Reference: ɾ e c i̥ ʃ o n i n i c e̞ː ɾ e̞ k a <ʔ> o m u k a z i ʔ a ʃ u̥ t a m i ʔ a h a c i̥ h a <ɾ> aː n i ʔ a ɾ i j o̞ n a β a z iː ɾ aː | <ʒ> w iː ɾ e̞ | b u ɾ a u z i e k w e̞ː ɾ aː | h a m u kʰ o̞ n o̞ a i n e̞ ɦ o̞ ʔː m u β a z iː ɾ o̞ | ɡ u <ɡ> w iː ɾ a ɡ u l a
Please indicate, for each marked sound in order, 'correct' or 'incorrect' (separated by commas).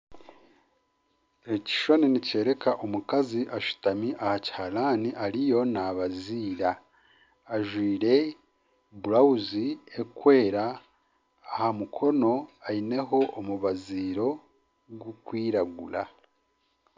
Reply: correct, incorrect, correct, incorrect